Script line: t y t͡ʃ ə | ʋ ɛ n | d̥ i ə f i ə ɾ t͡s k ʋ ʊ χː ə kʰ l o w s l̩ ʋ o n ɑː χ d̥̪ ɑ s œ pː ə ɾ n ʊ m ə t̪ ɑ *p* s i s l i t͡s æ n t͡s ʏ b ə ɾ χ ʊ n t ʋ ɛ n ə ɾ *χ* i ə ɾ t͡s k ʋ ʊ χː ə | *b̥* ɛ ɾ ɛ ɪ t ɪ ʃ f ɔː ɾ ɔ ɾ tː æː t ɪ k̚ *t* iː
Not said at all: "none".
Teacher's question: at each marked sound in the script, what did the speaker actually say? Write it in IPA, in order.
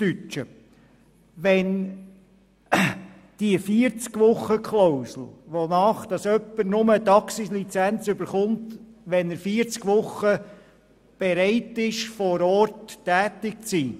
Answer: k, f, b̥, t͡s

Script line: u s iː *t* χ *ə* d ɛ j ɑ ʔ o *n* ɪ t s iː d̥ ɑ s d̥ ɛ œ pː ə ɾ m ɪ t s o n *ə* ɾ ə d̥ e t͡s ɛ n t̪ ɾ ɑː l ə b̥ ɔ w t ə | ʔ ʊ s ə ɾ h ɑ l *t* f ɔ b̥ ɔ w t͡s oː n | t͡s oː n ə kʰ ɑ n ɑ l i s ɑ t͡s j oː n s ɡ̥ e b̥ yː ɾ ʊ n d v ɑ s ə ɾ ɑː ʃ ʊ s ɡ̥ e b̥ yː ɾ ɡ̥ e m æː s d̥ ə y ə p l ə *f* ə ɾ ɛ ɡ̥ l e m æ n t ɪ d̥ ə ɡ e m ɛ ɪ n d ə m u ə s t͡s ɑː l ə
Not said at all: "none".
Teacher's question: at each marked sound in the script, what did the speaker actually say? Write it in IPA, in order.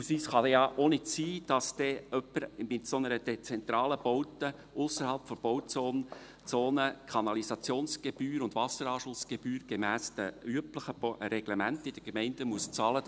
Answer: s, ɑ, n, ə, p, χ

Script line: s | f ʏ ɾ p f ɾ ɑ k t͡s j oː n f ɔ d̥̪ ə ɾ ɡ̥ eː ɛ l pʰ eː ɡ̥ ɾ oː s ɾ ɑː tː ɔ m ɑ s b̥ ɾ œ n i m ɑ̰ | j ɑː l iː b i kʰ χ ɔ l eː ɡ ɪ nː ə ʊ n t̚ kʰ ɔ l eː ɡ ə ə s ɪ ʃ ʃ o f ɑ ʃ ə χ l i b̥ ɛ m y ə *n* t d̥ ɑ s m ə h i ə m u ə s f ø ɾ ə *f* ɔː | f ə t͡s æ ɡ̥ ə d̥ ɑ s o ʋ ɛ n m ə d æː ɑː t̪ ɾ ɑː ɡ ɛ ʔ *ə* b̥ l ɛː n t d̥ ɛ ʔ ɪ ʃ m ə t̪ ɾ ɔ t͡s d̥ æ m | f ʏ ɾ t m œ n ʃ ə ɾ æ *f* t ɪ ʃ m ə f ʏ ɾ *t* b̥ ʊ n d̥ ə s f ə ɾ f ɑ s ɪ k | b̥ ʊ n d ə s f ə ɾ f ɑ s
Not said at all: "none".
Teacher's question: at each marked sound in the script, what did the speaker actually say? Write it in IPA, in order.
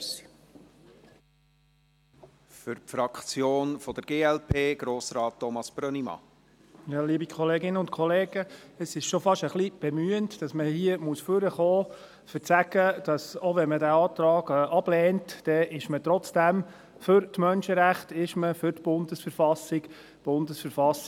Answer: n, χ, ɑ, χ, t

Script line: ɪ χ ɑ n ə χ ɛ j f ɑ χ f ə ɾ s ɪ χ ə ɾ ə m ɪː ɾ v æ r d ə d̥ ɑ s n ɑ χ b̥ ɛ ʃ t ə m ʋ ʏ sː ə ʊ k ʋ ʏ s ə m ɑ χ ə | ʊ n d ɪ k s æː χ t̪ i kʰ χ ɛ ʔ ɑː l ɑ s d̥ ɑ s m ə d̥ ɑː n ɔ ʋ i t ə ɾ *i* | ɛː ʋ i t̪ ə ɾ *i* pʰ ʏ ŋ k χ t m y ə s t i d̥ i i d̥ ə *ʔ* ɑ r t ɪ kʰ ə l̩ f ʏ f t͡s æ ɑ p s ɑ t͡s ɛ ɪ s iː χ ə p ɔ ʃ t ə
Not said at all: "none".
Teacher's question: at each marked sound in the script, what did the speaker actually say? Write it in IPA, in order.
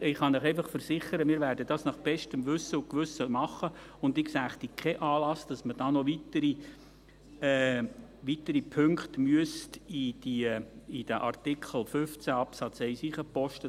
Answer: i, i, ʔ

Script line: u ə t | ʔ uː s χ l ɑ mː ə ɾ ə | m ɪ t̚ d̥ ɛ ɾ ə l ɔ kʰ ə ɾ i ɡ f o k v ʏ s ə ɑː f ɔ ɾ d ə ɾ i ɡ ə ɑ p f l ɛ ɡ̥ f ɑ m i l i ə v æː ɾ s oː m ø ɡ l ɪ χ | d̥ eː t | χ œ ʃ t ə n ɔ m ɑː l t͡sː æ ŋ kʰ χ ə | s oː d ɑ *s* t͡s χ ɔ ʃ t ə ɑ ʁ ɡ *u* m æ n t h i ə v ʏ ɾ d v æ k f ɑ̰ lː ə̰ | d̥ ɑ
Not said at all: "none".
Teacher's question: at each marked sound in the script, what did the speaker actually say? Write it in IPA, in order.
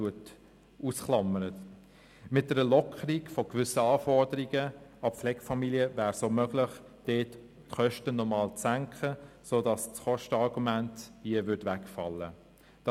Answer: s, u

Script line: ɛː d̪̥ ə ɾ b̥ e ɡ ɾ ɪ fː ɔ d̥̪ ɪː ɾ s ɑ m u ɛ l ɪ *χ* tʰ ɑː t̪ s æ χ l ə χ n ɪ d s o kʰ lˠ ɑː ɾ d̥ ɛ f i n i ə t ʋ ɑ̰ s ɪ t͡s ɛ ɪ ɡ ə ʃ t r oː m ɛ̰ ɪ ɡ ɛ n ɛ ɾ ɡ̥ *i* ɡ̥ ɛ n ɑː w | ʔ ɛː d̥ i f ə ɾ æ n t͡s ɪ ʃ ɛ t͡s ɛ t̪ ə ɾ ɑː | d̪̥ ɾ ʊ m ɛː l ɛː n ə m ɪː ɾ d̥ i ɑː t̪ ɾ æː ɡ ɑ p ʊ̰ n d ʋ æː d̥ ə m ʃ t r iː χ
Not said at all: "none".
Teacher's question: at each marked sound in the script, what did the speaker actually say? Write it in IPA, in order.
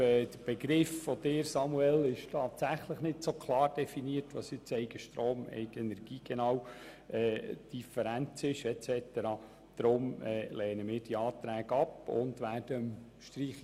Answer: ʃ, iː

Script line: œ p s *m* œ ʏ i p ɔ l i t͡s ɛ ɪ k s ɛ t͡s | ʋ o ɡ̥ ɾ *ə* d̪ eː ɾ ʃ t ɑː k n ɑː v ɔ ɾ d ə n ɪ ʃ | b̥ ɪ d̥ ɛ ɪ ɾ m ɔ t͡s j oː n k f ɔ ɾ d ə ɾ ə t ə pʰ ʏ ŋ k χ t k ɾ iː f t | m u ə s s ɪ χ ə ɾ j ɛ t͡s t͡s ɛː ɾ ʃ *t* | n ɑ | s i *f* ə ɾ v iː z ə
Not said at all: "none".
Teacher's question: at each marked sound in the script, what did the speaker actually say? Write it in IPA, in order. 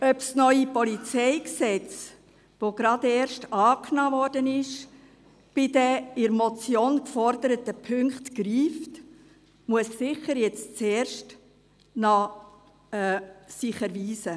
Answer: n, ɑ, t, χ

